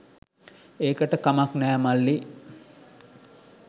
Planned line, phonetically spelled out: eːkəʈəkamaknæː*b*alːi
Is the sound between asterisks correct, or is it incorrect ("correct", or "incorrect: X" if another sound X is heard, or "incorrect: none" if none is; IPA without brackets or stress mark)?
incorrect: m